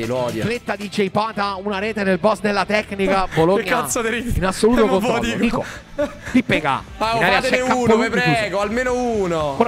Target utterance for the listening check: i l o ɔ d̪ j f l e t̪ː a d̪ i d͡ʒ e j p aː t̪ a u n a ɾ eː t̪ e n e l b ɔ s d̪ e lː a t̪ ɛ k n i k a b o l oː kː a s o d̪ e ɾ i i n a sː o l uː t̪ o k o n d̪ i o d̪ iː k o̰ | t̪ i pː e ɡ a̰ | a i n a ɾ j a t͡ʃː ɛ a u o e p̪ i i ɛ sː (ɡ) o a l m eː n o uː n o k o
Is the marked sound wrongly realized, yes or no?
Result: no